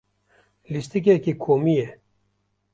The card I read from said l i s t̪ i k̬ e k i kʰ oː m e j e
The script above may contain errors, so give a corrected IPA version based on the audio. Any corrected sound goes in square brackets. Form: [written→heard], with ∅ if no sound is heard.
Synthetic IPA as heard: l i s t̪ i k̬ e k i kʰ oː m [e→i] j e